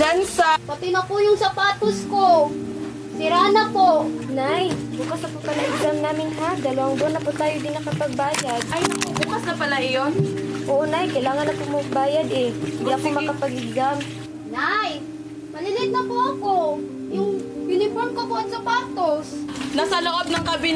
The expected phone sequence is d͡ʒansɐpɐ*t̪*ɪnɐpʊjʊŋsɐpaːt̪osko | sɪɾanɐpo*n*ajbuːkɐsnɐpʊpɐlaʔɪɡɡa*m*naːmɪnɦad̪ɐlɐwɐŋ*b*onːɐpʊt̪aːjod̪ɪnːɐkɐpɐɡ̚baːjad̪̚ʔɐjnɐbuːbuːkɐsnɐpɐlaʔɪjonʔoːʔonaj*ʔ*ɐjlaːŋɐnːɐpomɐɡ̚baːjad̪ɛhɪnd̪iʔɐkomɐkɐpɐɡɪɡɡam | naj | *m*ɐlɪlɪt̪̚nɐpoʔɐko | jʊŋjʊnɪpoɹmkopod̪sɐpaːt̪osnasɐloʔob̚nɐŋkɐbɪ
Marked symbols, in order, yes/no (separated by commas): yes, yes, yes, yes, no, yes